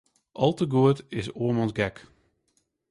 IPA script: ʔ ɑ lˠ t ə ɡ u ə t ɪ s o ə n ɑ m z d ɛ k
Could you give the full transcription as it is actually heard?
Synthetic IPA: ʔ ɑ lˠ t ə ɡ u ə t ɪ s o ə m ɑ n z ɡ ɛ k